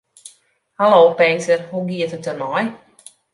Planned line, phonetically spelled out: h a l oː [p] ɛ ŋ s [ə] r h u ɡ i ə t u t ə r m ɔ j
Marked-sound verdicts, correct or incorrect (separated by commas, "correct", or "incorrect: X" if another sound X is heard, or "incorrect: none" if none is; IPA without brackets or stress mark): correct, correct